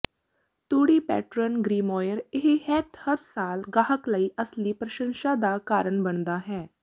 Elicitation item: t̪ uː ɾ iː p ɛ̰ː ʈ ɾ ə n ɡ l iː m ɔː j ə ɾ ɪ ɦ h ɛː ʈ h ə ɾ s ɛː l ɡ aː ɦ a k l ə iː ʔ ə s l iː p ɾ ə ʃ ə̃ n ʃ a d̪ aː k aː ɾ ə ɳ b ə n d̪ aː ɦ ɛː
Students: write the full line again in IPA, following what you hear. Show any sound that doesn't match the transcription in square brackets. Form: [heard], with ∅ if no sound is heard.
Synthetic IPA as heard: t̪ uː [ɽ] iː p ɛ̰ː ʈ ɾ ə n ɡ [ɾ] iː m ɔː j ə ɾ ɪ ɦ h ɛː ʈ h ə ɾ s [aː] l ɡ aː ɦ [ə] k l ə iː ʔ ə s l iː p ɾ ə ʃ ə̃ n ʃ a d̪ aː k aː ɾ ə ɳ b ə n d̪ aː ɦ ɛː